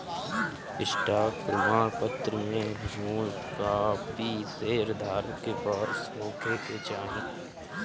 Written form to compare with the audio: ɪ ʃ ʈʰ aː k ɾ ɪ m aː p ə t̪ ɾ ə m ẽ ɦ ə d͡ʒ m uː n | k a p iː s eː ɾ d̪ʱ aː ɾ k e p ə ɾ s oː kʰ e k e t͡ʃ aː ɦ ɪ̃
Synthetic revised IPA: ɪ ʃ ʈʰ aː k ɾ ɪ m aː p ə t̪ ɾ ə m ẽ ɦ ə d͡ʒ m uː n | k a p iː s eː ɾ d̪ʱ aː ɾ k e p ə ɾ s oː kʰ e k e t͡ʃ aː ɦ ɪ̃